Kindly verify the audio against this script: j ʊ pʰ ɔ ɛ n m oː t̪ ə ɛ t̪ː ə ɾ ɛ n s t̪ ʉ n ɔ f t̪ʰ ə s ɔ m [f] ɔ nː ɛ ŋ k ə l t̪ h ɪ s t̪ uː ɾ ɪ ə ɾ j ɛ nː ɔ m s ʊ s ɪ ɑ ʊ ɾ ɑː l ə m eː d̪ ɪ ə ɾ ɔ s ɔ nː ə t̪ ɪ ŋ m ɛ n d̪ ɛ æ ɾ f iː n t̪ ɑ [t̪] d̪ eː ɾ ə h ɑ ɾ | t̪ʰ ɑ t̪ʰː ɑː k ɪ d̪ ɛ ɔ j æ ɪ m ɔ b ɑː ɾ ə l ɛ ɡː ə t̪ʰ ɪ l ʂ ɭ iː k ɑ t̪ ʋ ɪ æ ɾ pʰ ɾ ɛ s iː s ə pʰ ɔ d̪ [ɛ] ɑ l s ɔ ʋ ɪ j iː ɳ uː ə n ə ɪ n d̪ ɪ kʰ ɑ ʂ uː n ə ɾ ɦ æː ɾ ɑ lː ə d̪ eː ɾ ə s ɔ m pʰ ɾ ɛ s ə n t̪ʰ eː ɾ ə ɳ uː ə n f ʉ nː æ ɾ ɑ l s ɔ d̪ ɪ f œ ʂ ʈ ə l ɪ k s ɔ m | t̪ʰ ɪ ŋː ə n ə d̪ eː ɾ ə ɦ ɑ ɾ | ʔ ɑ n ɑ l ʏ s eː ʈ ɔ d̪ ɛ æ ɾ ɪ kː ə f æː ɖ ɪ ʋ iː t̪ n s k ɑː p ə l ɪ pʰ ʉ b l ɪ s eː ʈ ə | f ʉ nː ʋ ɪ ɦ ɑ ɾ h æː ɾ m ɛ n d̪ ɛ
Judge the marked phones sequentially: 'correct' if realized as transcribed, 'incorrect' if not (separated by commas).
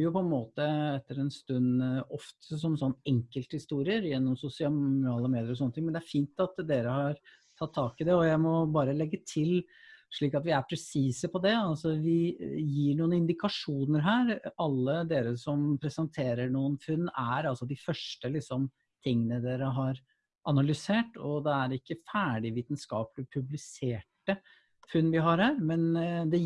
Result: incorrect, correct, correct